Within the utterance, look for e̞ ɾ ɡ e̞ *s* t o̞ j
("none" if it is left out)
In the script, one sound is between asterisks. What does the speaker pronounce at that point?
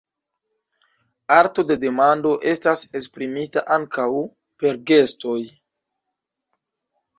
s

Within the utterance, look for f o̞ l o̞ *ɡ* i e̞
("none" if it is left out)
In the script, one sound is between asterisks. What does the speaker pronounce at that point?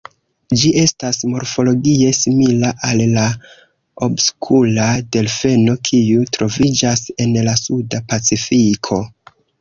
ɡ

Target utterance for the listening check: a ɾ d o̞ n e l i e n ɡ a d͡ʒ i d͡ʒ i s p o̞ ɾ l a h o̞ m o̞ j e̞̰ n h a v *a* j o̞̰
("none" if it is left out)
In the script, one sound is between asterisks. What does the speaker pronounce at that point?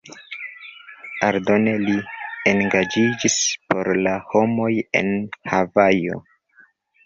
a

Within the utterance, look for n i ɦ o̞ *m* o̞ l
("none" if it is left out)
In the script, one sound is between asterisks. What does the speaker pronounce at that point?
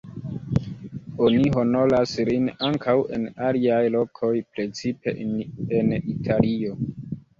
n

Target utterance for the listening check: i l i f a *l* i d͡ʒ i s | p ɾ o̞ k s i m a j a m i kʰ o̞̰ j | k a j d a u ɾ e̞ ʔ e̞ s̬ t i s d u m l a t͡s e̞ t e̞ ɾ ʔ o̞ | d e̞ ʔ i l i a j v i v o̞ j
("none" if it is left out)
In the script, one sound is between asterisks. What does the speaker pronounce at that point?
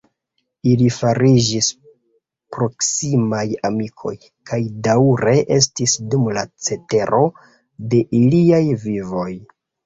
ɾ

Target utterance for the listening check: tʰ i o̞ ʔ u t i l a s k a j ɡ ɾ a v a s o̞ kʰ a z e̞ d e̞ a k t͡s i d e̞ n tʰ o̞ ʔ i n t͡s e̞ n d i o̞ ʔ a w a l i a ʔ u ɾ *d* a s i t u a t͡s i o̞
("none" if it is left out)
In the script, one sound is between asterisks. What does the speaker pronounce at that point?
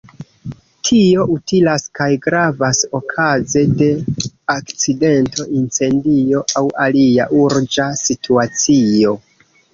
d͡ʒ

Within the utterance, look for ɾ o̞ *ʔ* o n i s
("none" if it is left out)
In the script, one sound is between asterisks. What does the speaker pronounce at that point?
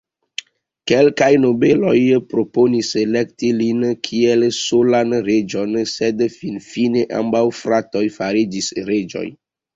p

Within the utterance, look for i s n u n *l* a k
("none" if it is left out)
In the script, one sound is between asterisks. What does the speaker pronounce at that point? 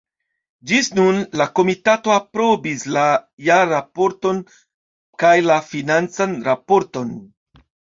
l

